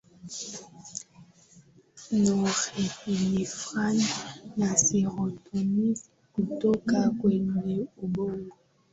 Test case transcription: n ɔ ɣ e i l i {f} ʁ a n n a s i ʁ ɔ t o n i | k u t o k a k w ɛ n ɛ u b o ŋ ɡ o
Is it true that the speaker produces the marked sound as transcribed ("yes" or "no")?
yes